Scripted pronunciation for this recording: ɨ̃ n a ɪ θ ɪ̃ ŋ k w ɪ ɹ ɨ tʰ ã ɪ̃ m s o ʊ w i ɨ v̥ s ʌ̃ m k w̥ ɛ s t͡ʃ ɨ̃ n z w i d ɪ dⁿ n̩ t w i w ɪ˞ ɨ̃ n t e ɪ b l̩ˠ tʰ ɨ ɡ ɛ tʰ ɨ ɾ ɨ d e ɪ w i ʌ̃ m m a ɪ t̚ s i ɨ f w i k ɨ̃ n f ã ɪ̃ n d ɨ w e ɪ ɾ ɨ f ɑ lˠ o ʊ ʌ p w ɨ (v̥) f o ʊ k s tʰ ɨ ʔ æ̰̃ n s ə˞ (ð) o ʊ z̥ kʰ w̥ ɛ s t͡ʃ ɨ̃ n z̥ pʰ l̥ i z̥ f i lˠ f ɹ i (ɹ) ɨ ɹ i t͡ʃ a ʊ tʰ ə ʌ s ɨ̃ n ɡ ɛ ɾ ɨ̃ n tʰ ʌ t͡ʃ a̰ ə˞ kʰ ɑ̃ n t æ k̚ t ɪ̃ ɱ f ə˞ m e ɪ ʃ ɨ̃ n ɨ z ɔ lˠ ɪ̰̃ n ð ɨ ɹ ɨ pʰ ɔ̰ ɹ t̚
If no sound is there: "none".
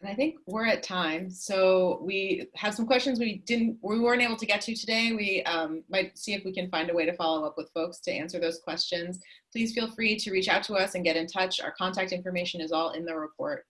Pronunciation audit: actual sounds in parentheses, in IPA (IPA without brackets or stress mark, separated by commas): ð̥, ð, ɾ